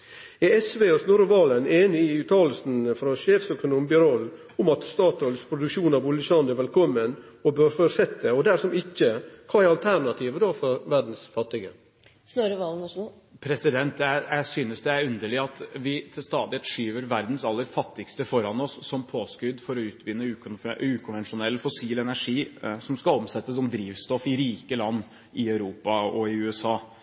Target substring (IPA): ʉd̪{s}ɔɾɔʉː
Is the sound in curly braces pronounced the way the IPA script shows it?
no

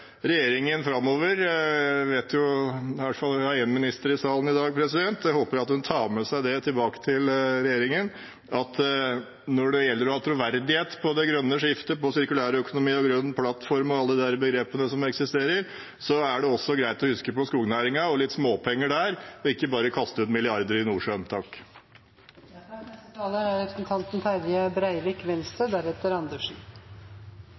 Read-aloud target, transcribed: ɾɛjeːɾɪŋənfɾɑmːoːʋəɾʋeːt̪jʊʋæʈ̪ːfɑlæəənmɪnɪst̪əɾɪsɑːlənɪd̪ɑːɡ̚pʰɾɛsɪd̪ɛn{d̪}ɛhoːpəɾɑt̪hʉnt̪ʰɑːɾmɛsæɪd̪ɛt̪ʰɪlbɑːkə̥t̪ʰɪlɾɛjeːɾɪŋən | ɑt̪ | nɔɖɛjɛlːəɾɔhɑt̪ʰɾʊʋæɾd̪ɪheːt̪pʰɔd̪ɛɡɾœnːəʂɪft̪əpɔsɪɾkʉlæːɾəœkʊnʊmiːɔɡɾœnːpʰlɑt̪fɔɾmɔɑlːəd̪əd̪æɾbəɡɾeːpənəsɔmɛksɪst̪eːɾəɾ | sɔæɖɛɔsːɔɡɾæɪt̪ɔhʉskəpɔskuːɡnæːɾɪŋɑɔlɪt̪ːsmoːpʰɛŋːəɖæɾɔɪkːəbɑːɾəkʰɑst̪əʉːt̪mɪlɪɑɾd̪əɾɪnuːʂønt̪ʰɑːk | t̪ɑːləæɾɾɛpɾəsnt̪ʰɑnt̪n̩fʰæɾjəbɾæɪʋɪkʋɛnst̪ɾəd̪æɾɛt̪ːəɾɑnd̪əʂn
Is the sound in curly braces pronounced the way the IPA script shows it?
no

